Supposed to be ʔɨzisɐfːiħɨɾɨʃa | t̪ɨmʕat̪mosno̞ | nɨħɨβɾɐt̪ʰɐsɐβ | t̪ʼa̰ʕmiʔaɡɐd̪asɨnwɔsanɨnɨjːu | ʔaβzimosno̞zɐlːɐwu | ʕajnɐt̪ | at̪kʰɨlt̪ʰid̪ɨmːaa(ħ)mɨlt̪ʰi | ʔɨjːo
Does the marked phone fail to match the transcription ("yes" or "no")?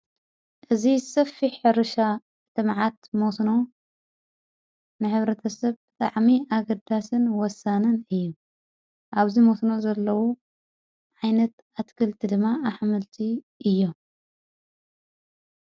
no